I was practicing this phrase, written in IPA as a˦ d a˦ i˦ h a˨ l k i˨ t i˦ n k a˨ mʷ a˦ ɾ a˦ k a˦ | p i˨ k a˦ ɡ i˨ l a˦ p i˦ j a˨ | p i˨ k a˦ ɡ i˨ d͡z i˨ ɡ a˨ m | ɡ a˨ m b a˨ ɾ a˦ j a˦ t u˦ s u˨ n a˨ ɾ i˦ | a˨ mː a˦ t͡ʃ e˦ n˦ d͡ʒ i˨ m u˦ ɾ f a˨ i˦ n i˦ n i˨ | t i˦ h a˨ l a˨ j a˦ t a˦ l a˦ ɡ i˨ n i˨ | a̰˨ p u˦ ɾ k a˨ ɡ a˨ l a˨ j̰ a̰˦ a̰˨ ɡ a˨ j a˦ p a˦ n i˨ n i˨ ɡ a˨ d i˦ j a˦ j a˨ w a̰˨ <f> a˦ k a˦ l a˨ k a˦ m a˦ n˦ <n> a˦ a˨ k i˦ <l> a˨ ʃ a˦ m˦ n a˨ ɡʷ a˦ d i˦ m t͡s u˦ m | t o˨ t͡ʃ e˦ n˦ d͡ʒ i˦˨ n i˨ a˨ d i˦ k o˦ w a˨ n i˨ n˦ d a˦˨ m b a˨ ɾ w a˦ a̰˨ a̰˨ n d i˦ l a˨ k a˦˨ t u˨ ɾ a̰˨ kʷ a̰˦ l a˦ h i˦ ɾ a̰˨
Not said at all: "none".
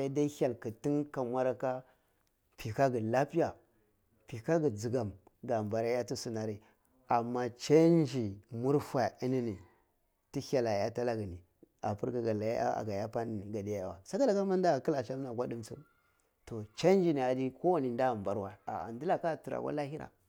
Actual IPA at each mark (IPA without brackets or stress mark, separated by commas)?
s, d, l